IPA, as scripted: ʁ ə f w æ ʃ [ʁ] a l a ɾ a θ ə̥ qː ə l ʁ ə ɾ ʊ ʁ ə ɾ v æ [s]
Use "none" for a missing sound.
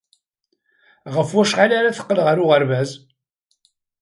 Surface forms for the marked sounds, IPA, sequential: ʁ, z

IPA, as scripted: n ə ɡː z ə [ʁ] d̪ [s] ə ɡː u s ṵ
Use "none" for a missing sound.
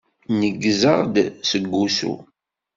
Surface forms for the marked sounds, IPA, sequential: ʁ, s

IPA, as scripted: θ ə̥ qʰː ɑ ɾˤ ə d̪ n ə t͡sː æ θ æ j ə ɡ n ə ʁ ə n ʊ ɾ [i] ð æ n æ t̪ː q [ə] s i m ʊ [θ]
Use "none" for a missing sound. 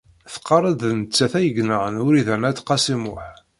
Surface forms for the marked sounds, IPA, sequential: i, ɑ, ħ

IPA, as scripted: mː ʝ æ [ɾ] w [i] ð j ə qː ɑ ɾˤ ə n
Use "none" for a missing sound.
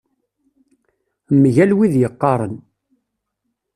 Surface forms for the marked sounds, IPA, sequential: l, i

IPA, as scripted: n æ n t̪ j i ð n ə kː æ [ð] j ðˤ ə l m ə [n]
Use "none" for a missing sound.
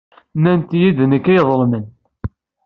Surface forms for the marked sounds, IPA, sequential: none, n

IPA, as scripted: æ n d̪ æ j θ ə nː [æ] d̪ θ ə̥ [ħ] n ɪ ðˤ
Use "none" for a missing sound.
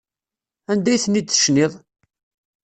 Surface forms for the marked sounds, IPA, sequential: i, ʃ

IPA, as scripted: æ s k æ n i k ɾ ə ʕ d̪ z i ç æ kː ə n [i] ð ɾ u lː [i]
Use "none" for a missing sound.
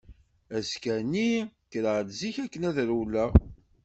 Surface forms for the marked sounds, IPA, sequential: æ, æ

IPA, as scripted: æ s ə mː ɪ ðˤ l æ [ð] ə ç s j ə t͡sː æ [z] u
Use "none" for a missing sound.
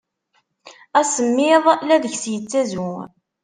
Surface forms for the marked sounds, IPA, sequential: ð, z

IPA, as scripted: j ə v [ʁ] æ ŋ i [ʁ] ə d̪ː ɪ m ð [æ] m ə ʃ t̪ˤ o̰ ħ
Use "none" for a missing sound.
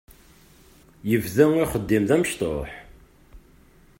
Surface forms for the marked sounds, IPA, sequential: ð, χ, æ

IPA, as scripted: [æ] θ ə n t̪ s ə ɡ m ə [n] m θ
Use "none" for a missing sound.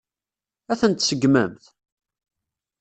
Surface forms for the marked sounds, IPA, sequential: æ, none

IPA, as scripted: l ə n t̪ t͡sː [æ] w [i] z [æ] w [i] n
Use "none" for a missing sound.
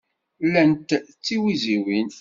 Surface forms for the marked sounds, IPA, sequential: i, i, i, i

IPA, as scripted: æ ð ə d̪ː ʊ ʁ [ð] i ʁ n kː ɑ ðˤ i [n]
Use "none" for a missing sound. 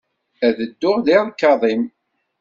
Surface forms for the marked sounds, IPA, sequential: ð, m

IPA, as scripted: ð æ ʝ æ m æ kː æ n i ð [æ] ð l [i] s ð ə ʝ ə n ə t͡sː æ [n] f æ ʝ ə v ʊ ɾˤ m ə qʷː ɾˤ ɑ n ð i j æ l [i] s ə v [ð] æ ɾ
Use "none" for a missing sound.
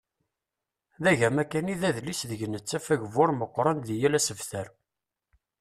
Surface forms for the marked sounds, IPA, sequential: æ, i, none, æ, θ

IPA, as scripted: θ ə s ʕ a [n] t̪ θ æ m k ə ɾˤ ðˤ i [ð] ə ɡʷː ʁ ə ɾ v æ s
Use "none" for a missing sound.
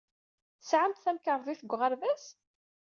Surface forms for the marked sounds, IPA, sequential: m, θ

